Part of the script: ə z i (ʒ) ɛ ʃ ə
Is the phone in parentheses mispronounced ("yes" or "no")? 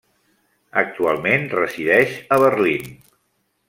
yes